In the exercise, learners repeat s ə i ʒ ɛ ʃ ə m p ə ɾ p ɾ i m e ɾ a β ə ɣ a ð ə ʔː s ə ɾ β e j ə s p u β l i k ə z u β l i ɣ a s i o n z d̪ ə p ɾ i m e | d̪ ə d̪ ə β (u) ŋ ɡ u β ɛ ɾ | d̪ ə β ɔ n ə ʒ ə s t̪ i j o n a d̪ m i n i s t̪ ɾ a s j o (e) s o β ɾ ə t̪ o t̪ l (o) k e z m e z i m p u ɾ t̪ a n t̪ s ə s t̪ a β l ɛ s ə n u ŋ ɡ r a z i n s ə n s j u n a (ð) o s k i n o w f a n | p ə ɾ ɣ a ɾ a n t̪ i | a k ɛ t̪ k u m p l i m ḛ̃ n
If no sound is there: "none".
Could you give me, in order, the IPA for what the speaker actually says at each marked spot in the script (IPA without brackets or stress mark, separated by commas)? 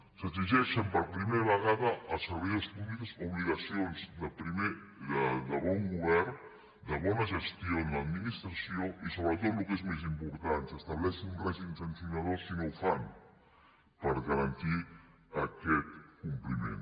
ɔ, i, u, ð